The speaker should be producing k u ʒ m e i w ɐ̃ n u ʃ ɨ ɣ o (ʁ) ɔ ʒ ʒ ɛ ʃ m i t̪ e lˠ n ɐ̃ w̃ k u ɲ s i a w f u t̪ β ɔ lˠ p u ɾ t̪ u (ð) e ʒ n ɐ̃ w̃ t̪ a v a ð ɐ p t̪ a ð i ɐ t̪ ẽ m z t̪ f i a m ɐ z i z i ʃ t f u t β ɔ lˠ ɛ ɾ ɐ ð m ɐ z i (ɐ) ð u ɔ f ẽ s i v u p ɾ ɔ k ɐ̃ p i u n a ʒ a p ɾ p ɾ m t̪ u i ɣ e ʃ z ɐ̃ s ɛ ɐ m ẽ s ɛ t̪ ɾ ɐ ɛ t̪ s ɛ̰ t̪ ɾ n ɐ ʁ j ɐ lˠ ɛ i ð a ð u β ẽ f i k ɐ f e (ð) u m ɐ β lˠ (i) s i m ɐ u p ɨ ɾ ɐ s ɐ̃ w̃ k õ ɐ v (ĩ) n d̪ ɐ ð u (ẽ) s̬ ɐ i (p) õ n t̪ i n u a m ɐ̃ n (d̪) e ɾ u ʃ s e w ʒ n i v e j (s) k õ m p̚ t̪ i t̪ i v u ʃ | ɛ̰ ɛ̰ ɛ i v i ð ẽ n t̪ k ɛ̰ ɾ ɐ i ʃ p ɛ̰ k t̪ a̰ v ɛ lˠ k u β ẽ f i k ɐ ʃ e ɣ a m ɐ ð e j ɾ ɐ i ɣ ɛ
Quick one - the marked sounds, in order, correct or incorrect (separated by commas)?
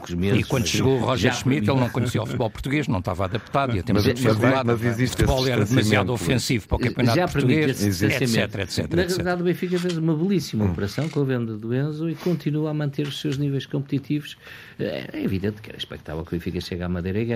correct, incorrect, incorrect, incorrect, correct, incorrect, correct, incorrect, incorrect, incorrect